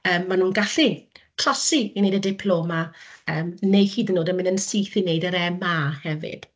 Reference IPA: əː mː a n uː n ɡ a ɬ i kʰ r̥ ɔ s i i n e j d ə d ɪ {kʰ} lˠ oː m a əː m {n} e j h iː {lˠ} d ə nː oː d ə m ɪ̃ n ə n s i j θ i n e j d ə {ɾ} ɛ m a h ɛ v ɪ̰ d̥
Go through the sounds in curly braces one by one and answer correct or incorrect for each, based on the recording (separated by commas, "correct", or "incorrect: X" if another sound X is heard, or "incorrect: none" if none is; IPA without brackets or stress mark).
incorrect: pʰ, correct, incorrect: none, correct